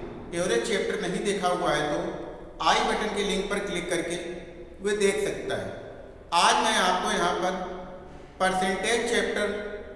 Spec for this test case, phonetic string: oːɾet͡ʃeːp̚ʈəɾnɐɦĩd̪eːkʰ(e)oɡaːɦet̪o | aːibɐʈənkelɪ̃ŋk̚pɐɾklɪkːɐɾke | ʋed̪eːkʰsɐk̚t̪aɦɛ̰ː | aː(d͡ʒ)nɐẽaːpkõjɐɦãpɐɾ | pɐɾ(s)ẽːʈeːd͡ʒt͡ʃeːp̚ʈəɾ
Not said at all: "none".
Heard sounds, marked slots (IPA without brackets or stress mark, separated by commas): a, d͡ʒ, s